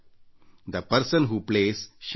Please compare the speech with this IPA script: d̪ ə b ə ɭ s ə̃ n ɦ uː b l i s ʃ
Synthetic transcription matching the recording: d̪ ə p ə ɾ s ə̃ n ɦ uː p l e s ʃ